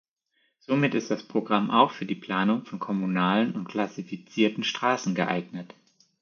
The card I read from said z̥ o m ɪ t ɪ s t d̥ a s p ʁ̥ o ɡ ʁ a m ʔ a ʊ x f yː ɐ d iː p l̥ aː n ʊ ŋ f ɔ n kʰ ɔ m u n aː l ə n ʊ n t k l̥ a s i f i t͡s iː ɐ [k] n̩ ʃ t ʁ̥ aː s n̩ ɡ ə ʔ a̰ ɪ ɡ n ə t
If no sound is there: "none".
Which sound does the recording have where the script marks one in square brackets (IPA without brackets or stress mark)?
t